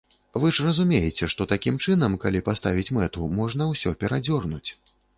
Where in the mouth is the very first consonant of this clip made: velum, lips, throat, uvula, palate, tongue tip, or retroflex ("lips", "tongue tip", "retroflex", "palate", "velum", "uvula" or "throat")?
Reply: lips